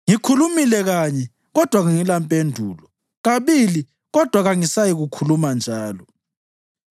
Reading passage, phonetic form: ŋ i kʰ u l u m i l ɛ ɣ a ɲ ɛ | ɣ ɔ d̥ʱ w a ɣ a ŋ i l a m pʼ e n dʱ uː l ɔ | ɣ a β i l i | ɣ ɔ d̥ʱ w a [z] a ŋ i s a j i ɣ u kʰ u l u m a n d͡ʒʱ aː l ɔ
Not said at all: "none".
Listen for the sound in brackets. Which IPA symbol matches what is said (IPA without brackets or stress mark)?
ɣ